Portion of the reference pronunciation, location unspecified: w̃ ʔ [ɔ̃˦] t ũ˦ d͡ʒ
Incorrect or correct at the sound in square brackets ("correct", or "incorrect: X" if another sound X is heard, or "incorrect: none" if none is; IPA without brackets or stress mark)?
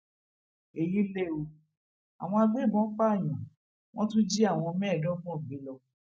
correct